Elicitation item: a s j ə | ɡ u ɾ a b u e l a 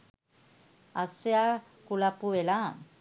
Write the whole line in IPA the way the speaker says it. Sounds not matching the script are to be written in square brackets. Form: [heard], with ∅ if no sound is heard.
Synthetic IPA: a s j [a] | [k] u [l] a [p] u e l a